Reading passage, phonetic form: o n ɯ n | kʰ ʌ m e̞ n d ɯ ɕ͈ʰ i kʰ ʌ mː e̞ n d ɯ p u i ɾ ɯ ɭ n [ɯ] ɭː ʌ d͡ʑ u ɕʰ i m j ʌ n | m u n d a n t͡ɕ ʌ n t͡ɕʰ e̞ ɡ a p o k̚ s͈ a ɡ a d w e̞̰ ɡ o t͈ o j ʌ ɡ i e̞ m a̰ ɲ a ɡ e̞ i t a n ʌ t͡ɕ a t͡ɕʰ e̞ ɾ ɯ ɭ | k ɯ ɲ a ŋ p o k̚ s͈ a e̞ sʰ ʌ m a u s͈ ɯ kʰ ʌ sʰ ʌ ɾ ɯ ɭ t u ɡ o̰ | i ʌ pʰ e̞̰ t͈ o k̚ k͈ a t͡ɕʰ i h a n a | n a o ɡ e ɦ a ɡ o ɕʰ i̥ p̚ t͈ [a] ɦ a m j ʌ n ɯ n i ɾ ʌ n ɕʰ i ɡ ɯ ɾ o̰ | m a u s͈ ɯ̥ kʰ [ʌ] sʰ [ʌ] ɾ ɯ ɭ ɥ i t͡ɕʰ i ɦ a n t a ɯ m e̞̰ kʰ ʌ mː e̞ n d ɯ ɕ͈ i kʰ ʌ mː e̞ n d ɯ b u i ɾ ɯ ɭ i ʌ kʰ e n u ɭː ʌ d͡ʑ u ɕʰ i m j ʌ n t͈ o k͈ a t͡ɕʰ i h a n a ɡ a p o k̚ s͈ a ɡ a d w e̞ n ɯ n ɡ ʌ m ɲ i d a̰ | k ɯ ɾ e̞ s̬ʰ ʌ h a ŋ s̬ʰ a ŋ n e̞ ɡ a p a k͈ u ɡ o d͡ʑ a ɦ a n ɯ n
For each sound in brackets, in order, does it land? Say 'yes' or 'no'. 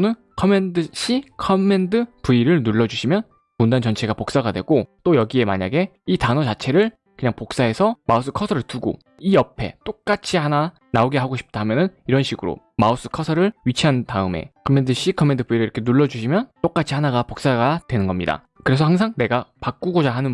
no, yes, yes, yes

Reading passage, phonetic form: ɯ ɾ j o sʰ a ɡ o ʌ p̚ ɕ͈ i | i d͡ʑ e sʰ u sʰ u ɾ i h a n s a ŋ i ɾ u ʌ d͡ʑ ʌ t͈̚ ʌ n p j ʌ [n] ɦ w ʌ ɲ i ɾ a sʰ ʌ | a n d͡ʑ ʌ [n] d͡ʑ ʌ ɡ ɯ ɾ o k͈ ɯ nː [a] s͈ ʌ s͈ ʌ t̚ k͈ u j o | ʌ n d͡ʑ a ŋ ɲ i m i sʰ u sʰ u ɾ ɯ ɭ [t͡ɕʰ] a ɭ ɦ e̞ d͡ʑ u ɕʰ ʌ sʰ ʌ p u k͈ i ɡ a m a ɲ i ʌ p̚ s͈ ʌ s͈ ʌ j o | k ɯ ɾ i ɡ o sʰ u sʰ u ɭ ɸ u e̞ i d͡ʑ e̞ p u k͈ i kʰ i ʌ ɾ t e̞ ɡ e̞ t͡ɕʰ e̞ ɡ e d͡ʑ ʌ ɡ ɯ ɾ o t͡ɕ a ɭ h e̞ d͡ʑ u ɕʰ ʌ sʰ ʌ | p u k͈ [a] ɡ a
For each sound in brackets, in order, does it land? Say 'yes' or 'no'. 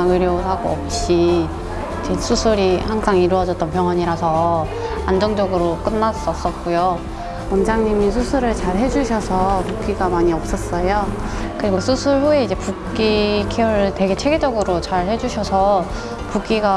no, no, yes, no, no

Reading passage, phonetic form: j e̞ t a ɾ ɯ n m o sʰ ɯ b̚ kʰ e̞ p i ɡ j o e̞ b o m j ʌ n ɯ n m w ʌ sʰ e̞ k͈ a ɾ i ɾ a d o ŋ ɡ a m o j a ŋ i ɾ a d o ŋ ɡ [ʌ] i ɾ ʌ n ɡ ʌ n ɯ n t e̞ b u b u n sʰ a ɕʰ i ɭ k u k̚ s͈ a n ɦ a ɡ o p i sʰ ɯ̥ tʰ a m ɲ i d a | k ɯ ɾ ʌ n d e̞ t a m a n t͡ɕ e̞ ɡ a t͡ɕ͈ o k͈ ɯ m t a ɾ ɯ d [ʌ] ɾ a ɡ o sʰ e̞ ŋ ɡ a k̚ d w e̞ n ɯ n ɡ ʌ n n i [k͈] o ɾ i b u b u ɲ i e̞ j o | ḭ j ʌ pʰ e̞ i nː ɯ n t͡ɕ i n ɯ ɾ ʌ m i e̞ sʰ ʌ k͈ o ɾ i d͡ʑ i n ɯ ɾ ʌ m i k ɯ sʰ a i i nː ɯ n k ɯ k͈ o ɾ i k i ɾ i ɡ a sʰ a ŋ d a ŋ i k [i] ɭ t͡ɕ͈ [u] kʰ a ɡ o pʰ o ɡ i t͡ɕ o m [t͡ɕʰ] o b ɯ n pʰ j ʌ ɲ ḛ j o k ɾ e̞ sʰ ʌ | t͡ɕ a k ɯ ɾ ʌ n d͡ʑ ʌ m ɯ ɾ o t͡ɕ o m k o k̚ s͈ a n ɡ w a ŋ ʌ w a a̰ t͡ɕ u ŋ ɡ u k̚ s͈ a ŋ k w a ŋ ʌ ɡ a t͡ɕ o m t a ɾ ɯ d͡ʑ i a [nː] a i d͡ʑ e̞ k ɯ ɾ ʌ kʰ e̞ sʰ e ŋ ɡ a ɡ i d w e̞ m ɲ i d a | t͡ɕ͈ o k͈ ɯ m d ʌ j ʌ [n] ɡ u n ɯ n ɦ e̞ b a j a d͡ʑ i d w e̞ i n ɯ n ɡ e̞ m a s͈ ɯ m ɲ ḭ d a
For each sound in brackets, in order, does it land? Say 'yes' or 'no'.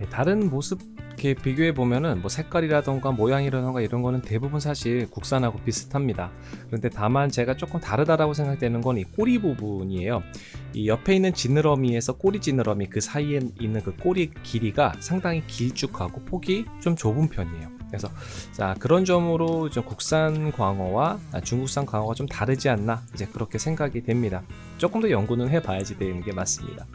no, no, yes, yes, yes, no, yes, no

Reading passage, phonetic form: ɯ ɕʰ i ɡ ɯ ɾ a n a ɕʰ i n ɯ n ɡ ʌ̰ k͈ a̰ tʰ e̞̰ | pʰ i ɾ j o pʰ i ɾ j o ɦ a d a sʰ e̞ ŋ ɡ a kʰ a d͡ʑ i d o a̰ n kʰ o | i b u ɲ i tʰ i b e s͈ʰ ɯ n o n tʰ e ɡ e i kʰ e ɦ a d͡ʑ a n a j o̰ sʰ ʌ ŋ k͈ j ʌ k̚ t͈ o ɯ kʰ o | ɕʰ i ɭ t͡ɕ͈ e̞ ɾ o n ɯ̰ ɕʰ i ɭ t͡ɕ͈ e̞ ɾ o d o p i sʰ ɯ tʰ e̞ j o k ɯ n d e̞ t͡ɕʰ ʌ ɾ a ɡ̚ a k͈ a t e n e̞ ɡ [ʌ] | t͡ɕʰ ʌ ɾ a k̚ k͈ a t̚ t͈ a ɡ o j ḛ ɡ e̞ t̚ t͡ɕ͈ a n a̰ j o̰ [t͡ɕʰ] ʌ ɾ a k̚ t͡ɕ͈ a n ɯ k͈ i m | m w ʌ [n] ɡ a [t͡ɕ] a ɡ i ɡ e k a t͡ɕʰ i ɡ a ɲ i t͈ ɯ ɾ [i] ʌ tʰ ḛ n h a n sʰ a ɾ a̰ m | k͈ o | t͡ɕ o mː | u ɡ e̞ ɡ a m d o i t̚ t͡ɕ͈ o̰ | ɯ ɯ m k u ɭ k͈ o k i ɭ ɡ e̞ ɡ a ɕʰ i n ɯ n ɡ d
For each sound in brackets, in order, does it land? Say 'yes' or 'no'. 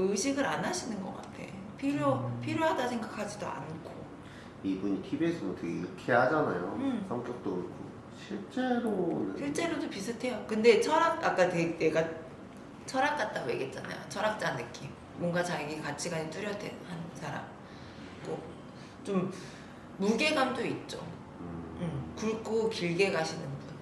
no, yes, no, yes, no

